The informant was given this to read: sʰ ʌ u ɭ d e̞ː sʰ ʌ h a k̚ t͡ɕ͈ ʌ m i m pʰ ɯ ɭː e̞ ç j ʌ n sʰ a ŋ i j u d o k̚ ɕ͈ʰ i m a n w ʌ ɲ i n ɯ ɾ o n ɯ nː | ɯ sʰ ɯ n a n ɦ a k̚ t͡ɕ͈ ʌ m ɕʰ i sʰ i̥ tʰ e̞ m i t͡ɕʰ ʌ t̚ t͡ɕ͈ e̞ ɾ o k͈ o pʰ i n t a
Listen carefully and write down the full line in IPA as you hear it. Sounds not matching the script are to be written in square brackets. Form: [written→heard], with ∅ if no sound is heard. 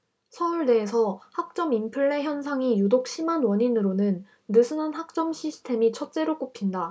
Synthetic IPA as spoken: sʰ ʌ u ɭ d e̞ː sʰ ʌ h a k̚ t͡ɕ͈ ʌ m i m pʰ ɯ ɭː e̞ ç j ʌ n sʰ a ŋ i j u d o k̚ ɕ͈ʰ i m a n w ʌ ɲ i n ɯ ɾ o n ɯ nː | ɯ sʰ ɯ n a n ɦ a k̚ t͡ɕ͈ ʌ m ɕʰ i sʰ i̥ tʰ e̞ m i t͡ɕʰ ʌ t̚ t͡ɕ͈ e̞ ɾ o k͈ o pʰ i n [t→d] a